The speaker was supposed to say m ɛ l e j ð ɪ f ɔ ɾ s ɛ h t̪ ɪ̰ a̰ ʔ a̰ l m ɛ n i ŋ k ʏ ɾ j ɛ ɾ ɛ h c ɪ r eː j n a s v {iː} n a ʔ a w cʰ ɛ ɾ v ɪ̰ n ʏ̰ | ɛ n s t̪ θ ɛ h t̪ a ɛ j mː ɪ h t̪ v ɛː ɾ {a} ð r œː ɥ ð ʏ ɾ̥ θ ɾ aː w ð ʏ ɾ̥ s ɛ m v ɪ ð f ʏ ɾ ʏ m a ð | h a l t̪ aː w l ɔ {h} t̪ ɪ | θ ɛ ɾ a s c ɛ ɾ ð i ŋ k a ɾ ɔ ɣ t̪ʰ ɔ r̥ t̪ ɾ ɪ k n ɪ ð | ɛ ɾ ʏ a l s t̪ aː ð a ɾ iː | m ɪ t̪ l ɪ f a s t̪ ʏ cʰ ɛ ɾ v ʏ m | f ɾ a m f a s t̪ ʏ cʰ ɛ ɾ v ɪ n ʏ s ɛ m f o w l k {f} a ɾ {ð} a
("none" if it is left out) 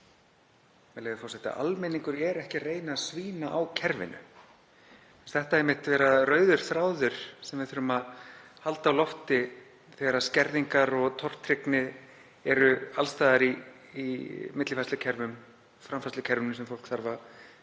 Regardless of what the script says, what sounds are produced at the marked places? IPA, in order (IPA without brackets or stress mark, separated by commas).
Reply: iː, a, f, θ, v